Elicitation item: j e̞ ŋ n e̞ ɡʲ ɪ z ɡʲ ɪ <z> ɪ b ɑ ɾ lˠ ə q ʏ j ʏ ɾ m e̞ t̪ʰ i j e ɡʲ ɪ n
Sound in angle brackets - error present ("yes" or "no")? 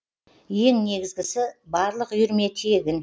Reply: yes